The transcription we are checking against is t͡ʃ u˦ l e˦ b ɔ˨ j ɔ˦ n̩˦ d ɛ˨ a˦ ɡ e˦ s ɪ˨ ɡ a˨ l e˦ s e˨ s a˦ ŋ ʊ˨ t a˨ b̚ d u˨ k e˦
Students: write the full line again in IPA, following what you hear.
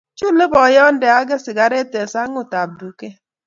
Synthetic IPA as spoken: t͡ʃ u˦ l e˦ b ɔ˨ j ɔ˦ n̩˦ d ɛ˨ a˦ ɡ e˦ s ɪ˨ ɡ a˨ ɾ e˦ t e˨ s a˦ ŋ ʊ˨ t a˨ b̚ d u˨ k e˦